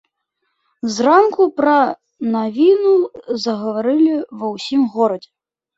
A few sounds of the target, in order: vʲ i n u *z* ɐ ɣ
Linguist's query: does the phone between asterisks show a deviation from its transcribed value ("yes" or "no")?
no